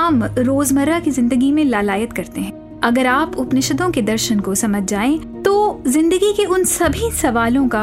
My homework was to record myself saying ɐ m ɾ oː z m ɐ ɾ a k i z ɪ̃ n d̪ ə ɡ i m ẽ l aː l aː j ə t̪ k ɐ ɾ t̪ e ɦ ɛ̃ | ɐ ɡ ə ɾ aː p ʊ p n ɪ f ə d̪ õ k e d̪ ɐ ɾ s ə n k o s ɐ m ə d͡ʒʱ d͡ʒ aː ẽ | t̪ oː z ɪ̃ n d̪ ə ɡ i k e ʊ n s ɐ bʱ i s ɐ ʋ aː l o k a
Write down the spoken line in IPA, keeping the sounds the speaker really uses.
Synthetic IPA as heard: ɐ m ɾ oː z m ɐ ɾ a k i z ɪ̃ n d̪ ə ɡ i m ẽ l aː l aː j ə t̪ k ɐ ɾ t̪ e ɦ ɛ̃ | ɐ ɡ ə ɾ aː p ʊ p n ɪ ʃ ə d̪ õ k e d̪ ɐ ɾ ʃ ə n k o s ɐ m ə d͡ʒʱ d͡ʒ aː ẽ | t̪ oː z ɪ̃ n d̪ ə ɡ i k e ʊ n s ɐ bʱ i s ɐ ʋ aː l õ k a